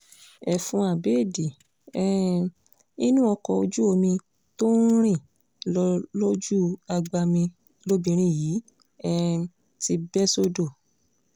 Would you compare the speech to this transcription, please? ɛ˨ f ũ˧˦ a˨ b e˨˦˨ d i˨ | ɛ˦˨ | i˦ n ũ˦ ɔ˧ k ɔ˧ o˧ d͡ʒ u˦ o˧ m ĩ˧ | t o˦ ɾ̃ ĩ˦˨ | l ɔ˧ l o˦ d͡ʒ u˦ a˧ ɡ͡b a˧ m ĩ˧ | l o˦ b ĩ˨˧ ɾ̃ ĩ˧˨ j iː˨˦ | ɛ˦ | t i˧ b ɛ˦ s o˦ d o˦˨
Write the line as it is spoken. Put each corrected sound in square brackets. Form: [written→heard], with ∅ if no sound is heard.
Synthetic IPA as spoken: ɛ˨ f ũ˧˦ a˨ b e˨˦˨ d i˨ | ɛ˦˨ | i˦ n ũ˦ ɔ˧ k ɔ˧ o˧ d͡ʒ u˦ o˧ m ĩ˧ | t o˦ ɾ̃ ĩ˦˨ | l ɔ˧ l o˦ d͡ʒ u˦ a˧ ɡ͡b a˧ m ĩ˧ | l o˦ b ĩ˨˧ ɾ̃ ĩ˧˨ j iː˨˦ | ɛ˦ | t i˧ b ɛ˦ s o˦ d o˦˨